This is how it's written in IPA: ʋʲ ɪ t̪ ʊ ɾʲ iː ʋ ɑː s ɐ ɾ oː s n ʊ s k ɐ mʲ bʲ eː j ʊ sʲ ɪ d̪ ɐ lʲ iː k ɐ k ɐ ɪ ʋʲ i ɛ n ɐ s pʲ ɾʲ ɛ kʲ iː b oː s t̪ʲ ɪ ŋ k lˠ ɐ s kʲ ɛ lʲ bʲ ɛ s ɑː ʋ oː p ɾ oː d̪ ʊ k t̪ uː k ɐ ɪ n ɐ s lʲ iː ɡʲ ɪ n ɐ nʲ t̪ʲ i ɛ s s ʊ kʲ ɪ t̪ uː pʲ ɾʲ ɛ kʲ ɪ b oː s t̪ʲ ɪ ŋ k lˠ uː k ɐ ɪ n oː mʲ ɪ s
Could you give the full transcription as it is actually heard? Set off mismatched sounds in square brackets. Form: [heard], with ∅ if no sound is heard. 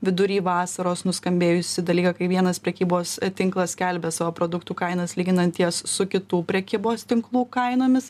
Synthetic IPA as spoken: ʋʲ ɪ [d̪] ʊ ɾʲ iː ʋ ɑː s ɐ ɾ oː s n ʊ s k ɐ mʲ bʲ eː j ʊ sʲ ɪ d̪ ɐ lʲ iː k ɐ k ɐ ɪ ʋʲ i ɛ n ɐ s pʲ ɾʲ ɛ kʲ iː b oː s t̪ʲ ɪ ŋ k lˠ ɐ s kʲ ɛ lʲ bʲ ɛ s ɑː ʋ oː p ɾ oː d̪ ʊ k t̪ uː k ɐ ɪ n ɐ s lʲ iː ɡʲ ɪ n ɐ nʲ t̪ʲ i ɛ s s ʊ kʲ ɪ t̪ uː pʲ ɾʲ ɛ kʲ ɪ b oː s t̪ʲ ɪ ŋ k lˠ uː k ɐ ɪ n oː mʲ ɪ s